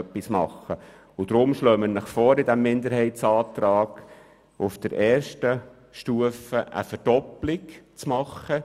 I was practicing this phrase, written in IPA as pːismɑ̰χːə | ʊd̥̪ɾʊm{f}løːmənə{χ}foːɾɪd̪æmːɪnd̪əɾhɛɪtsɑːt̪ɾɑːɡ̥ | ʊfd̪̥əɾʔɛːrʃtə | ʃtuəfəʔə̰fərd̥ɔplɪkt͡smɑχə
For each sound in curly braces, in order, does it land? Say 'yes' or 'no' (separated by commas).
no, yes